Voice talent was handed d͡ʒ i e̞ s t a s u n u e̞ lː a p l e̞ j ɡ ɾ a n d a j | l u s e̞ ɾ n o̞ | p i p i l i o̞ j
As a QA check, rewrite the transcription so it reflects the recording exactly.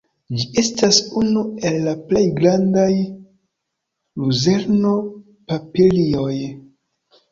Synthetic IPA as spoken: d͡ʒ i e̞ s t a s u n u e̞ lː a p l e̞ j ɡ ɾ a n d a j | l u z e̞ ɾ n o̞ | p a p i l i o̞ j